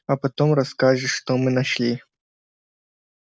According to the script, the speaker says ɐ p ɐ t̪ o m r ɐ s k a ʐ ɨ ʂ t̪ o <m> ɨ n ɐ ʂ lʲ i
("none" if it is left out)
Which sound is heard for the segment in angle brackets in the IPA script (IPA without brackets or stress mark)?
m